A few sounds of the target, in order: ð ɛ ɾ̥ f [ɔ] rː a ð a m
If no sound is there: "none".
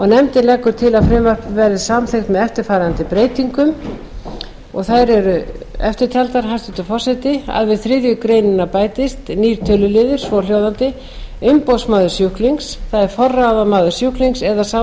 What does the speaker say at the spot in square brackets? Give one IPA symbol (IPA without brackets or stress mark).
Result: ɔ